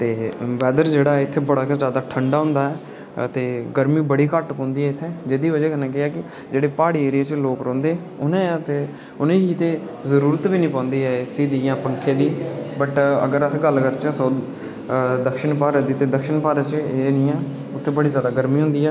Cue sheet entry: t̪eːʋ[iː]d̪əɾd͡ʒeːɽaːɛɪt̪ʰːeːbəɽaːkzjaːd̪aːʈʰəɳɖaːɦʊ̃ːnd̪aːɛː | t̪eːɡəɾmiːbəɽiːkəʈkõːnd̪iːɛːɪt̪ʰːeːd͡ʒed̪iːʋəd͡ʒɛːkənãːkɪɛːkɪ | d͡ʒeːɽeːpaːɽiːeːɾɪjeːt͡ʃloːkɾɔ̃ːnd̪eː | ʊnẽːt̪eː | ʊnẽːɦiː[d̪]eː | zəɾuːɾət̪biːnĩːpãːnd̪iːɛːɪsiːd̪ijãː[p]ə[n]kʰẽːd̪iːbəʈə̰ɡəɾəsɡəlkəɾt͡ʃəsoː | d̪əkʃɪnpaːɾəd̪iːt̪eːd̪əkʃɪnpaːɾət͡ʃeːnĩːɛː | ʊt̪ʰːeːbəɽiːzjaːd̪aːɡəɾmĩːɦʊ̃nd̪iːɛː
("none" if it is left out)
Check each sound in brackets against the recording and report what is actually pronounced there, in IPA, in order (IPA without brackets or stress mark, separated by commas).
ɛː, t̪, p, ŋ